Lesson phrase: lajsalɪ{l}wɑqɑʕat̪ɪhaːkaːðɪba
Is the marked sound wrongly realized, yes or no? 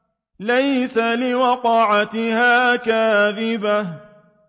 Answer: yes